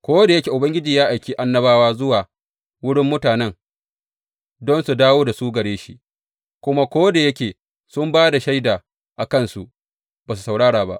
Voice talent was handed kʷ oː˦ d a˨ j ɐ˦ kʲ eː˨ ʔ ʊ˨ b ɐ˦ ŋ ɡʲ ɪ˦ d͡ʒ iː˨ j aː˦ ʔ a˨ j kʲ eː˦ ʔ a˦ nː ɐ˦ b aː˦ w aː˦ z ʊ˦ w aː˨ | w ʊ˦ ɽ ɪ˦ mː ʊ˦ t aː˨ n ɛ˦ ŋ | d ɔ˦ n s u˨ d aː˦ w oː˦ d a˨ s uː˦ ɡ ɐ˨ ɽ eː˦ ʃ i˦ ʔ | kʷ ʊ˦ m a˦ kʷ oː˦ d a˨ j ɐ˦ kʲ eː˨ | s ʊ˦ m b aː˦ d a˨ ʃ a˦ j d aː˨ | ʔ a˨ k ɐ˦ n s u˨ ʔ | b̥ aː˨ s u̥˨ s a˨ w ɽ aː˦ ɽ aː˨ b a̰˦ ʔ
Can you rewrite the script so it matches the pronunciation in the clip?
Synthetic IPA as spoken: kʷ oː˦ d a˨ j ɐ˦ kʲ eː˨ ʔ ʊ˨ b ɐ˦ ŋ ɡʲ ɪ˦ d͡ʒ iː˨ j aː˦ ʔ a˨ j kʲ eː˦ ʔ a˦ nː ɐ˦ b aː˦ w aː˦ z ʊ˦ w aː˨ | w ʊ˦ ɽ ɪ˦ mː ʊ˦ t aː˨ n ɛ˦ ŋ | d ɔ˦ n s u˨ d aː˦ w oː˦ d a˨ s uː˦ ɡ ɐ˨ ɽ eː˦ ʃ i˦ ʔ | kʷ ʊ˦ m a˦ kʷ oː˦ d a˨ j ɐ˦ kʲ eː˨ | s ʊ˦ m b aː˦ d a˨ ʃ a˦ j d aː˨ | ʔ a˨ k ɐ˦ n s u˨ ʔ | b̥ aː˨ s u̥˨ s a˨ w ɽ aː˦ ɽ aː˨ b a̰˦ ʔ